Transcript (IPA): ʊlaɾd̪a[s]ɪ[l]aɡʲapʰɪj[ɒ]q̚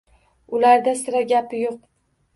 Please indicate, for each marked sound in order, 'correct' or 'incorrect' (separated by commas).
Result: correct, incorrect, incorrect